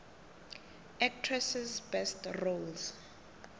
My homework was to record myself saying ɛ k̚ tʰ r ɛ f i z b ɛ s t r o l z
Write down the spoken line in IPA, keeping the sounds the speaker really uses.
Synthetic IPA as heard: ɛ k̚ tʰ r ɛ s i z b ɛ s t r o l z